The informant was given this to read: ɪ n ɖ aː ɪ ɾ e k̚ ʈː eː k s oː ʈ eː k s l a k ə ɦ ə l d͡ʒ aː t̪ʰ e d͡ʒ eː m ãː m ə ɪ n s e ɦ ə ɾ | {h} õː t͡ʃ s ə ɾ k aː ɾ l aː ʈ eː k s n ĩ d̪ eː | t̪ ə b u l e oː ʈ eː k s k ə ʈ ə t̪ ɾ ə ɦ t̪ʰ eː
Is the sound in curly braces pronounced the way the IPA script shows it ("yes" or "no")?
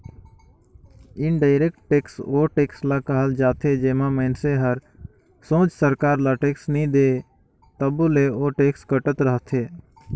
no